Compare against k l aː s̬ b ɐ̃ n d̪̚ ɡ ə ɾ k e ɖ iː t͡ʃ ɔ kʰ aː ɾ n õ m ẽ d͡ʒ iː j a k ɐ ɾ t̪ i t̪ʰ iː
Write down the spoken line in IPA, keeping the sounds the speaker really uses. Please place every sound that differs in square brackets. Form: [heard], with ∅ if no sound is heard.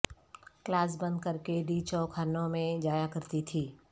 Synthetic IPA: k l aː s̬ b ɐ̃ n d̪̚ [k] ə ɾ k e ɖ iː t͡ʃ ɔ kʰ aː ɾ n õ m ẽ d͡ʒ [aː] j a k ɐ ɾ t̪ i t̪ʰ iː